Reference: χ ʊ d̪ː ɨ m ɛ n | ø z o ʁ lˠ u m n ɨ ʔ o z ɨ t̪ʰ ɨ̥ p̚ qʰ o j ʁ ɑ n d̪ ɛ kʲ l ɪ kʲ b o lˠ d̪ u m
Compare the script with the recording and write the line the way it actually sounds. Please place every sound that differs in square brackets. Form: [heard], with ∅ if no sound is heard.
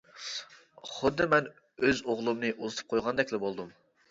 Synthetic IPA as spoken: χ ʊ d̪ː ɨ m ɛ n | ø z o ʁ lˠ u m n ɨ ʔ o z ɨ t̪ʰ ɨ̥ p̚ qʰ o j ʁ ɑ n d̪ ɛ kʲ l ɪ [∅] b o lˠ d̪ u m